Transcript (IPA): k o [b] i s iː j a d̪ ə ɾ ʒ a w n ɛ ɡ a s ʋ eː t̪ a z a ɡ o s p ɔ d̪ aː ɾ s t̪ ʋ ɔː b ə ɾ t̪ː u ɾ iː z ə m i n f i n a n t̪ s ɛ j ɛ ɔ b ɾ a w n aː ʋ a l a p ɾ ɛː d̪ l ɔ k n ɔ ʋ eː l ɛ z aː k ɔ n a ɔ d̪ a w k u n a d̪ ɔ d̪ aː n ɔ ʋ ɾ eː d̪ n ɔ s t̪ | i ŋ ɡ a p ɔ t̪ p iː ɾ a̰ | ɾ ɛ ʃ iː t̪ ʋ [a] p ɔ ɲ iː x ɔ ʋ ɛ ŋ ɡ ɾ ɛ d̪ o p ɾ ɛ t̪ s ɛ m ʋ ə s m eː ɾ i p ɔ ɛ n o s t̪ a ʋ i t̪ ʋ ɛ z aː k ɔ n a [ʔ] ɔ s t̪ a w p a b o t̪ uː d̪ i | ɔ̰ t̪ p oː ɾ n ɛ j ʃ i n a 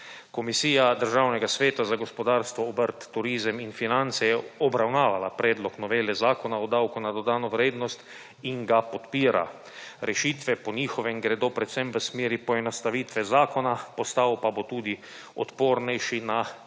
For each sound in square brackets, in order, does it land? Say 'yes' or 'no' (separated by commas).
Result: no, no, no